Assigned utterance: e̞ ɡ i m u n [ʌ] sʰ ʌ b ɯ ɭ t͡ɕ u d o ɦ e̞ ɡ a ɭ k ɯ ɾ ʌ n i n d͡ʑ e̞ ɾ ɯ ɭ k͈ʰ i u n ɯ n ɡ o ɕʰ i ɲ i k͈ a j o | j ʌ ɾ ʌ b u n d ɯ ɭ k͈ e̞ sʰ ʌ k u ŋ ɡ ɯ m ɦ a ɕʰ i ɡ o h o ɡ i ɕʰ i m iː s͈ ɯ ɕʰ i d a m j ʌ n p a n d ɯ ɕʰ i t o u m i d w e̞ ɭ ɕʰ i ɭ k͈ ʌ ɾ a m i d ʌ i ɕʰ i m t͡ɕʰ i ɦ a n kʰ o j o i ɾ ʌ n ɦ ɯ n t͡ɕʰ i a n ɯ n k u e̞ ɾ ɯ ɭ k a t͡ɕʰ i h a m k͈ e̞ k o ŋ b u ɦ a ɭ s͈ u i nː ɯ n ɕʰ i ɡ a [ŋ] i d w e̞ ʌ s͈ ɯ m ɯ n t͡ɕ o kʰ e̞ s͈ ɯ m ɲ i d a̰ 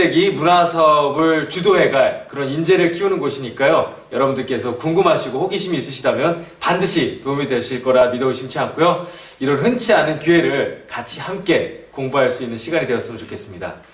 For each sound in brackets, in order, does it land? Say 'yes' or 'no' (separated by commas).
no, no